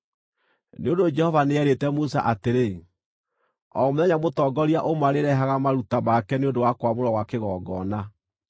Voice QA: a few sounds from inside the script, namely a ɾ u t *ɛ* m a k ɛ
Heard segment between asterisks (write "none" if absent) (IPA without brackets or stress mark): a